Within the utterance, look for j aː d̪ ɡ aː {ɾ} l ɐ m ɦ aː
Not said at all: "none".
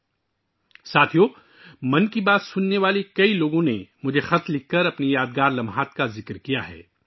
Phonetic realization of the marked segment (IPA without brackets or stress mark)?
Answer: ɾ